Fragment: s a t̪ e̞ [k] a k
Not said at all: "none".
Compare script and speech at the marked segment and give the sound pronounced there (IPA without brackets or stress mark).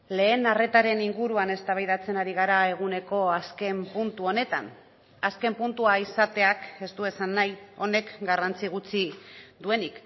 none